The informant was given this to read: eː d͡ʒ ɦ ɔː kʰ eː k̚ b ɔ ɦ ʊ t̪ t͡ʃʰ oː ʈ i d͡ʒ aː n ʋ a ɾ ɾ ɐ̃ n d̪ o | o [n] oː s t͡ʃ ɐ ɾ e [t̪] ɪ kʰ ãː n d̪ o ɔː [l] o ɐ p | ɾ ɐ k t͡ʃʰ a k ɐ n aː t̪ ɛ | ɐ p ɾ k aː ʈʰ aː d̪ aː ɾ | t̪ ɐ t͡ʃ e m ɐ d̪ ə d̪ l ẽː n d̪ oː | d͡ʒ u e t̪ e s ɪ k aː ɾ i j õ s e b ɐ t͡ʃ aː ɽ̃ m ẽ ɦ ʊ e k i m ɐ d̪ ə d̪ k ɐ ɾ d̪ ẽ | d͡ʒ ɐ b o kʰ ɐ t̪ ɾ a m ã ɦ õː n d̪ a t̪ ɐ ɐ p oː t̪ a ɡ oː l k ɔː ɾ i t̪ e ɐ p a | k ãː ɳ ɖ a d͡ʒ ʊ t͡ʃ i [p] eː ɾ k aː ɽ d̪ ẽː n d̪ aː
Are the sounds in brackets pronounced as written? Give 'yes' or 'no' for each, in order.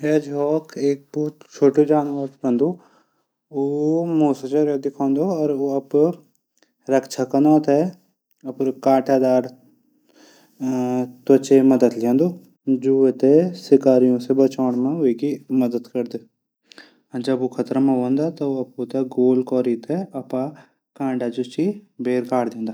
no, no, no, no

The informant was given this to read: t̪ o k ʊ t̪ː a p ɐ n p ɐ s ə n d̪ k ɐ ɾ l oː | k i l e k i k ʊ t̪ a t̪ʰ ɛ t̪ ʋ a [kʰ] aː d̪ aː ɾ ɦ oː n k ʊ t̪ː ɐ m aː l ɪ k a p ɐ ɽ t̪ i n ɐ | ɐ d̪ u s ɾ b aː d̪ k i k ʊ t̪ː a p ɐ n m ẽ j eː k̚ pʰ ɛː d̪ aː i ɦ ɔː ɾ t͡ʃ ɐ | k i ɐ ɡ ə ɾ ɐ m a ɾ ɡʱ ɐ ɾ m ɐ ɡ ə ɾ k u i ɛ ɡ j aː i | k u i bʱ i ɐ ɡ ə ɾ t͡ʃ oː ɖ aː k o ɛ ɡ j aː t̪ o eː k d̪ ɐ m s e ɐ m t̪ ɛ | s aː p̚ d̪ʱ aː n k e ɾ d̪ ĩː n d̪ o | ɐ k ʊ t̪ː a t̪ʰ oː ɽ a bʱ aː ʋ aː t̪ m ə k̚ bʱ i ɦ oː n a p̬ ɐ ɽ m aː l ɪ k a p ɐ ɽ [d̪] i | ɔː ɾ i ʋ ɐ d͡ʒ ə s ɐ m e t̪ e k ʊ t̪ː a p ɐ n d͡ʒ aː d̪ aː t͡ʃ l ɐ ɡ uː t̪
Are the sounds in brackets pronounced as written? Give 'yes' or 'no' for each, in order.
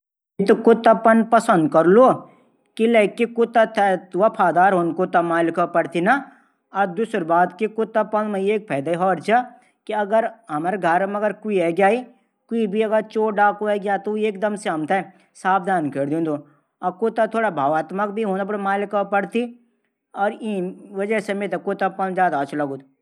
no, no

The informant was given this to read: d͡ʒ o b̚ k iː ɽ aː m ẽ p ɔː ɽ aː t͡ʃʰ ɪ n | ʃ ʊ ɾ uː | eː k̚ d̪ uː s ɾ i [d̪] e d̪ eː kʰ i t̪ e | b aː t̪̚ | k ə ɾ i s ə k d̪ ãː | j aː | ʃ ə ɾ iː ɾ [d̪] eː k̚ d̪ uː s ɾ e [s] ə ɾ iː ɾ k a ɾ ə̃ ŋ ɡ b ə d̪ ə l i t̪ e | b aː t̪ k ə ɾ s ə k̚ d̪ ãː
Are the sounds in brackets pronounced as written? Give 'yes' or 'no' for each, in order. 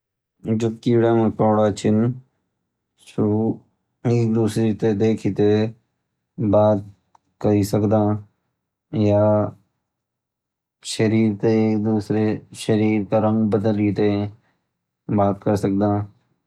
no, no, no

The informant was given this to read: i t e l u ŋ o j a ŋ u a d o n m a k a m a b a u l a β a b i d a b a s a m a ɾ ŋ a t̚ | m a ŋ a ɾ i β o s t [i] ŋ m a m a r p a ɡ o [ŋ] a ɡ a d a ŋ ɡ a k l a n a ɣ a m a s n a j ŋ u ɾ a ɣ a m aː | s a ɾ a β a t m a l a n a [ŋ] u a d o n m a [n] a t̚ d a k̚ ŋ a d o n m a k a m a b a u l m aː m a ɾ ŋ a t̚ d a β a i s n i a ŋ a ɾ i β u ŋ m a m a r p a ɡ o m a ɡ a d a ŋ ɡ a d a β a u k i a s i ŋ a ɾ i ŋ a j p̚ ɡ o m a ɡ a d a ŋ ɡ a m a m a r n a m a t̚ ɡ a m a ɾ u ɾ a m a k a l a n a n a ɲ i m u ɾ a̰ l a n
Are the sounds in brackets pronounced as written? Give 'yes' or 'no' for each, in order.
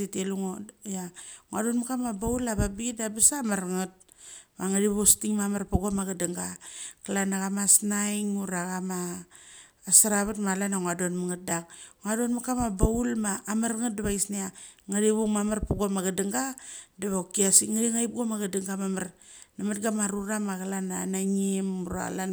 yes, no, yes, no

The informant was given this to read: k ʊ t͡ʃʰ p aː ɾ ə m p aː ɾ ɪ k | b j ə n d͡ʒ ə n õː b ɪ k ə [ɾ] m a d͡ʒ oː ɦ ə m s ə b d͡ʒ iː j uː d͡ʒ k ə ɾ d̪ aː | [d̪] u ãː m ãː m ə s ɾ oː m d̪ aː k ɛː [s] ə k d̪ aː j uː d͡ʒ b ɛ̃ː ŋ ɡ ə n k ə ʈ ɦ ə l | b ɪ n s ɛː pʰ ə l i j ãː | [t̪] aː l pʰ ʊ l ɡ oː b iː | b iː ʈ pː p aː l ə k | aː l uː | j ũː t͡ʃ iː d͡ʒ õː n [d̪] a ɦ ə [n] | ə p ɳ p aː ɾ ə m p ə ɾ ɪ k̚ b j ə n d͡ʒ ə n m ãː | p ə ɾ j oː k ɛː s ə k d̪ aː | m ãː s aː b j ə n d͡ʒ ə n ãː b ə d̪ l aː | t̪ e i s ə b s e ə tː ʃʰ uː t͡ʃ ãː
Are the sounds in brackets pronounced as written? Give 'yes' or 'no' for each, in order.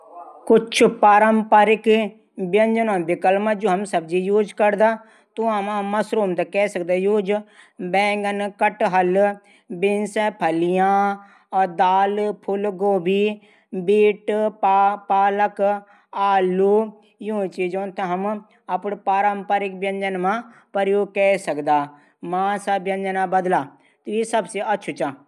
no, no, yes, no, no, no

